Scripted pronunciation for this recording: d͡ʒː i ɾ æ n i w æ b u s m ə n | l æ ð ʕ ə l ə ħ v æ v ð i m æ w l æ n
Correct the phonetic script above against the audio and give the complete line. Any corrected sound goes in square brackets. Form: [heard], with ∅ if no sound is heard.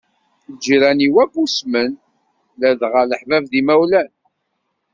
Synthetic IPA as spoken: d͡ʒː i ɾ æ n i w æ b u s m ə n | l æ ð [ʁ] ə l ə ħ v æ v ð i m æ w l æ n